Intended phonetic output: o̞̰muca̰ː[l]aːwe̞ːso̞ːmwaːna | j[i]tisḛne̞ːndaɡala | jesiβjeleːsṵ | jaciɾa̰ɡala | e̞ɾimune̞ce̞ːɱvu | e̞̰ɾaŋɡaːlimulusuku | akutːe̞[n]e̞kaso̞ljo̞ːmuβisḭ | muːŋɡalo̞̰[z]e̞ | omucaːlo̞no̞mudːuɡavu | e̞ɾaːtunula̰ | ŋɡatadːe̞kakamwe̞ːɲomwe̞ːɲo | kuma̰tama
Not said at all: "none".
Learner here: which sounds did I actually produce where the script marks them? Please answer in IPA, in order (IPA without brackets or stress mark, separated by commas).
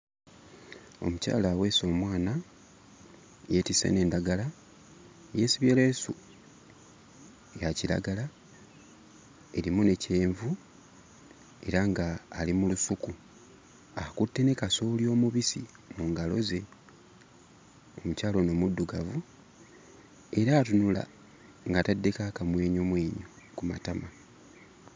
l, e, n, z